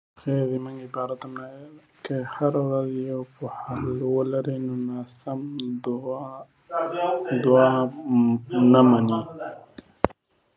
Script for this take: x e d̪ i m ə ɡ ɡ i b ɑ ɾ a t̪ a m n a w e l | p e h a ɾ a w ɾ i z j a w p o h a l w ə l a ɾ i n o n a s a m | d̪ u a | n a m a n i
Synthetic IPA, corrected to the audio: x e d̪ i m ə ŋ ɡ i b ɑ ɾ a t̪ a m n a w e l | k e h a ɾ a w ɾ a z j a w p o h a l w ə l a ɾ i n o n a s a m | d̪ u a | n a m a n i